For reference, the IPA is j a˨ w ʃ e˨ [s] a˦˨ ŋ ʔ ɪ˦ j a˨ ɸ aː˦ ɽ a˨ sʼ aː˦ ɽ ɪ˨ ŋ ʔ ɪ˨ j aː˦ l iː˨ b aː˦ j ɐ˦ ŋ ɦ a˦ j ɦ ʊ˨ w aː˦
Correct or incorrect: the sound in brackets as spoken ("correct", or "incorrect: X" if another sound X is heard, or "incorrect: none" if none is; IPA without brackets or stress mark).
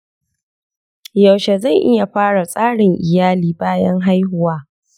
incorrect: z